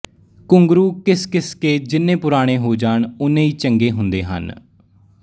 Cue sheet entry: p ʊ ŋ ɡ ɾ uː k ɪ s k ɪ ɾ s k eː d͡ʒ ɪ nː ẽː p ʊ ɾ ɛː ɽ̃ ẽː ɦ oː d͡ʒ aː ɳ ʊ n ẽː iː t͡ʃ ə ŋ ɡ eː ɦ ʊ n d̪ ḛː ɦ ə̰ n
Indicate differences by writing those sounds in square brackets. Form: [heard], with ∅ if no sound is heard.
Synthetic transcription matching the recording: [k] ʊ ŋ ɡ ɾ uː k ɪ s k ɪ [∅] s k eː d͡ʒ ɪ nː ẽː p ʊ ɾ [aː] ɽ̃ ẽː ɦ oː d͡ʒ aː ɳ ʊ n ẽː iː t͡ʃ ə ŋ ɡ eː ɦ ʊ n d̪ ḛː ɦ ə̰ n